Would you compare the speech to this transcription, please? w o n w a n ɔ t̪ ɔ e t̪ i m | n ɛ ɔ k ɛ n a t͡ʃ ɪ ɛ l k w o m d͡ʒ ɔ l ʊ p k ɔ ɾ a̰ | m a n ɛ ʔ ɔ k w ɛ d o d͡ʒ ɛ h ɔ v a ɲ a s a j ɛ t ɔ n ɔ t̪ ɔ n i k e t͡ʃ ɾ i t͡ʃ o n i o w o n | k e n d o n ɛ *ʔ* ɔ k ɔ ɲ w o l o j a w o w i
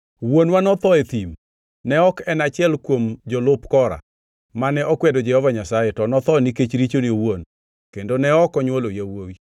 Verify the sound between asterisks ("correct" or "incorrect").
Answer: incorrect